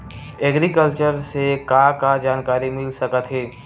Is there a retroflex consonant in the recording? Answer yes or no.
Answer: no